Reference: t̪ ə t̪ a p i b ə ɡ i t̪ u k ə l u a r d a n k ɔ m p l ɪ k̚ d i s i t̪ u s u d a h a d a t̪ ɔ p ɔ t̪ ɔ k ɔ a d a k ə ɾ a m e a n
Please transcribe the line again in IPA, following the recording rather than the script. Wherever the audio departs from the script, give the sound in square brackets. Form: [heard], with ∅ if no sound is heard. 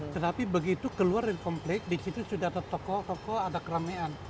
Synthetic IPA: t̪ ə t̪ a p i b ə ɡ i t̪ u k ə l u a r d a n k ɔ m p l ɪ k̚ d i s i t̪ u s u d a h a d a t̪ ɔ [k] ɔ t̪ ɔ k ɔ a d a k ə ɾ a m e a n